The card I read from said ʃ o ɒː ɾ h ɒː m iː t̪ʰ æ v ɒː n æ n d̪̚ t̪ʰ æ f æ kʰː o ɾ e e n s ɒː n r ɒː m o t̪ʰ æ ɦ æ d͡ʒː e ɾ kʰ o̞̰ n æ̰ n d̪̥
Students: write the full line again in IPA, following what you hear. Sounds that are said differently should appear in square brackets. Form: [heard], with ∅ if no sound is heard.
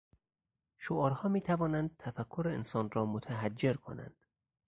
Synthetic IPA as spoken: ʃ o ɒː ɾ h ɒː m iː t̪ʰ æ v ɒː n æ n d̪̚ t̪ʰ æ f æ kʰː o ɾ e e n s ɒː n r ɒː m o t̪ʰ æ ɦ æ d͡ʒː e ɾ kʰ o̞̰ n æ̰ n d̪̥